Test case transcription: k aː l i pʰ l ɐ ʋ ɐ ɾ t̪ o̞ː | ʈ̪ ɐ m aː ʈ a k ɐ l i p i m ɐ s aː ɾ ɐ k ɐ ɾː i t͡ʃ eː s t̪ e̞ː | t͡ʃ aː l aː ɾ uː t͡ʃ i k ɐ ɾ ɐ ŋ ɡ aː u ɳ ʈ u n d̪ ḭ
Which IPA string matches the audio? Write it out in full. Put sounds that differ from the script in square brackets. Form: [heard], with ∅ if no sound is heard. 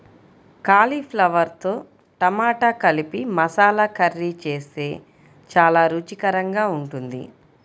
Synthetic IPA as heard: k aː l i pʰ l ɐ ʋ ɐ ɾ t̪ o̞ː | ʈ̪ ɐ m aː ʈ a k ɐ l i p i m ɐ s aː [l] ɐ k ɐ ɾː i t͡ʃ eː s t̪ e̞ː | t͡ʃ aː l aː ɾ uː t͡ʃ i k ɐ ɾ ɐ ŋ ɡ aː u ɳ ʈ u n d̪ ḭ